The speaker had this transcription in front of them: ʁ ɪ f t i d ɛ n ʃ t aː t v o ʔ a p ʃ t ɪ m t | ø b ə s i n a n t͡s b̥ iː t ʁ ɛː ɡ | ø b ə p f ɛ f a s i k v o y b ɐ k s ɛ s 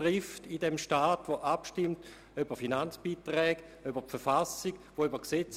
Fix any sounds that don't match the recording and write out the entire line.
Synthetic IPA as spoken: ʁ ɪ f t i d ɛ m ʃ t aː t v o ʔ a p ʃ t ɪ m t | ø b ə f i n a n t͡s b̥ iː t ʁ ɛː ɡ | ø b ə p f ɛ f a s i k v o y b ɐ k s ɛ t͡s